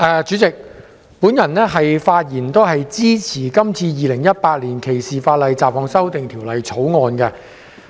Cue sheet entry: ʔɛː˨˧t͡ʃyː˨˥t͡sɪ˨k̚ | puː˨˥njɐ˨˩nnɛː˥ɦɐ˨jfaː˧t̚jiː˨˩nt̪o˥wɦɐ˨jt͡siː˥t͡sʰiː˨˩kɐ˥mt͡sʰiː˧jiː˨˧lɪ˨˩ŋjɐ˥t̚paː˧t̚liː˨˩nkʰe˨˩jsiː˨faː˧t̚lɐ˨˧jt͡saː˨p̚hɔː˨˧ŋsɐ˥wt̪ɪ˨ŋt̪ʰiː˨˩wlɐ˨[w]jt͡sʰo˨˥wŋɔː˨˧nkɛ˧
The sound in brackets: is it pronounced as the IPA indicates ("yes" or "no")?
no